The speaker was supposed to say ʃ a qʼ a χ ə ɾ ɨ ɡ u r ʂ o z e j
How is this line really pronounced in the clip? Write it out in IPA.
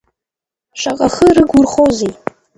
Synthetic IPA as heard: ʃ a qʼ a χ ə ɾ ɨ ɡ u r χ o z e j